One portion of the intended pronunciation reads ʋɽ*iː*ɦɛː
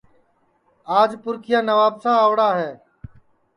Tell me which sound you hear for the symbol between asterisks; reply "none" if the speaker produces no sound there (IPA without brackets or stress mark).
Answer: aː